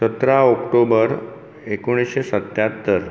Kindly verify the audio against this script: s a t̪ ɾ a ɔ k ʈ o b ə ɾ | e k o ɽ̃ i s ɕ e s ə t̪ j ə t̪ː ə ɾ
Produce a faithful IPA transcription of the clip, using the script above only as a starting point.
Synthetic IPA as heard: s ə t̪ ɾ a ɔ k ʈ o b ə ɾ | e k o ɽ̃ i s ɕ e s ə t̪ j a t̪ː ə ɾ